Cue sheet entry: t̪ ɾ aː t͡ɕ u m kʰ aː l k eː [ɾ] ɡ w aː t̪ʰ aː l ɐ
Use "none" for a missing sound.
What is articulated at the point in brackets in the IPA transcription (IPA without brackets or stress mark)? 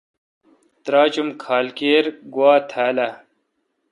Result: ɾ